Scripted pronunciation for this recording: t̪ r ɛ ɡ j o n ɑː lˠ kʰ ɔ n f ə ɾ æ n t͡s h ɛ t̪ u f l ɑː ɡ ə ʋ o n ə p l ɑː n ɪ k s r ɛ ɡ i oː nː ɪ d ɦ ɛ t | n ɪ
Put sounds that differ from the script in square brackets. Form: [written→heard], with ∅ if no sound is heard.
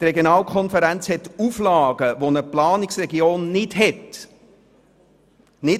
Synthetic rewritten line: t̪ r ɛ ɡ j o n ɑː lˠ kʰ ɔ n f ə ɾ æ n t͡s h ɛ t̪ u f l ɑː ɡ ə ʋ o n ə p l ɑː n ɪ k s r ɛ ɡ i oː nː ɪ d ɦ ɛ t | n ɪ